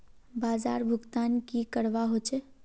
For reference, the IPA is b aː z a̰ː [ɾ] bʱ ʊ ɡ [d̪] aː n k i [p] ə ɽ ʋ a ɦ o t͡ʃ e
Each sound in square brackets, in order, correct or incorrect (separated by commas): correct, incorrect, incorrect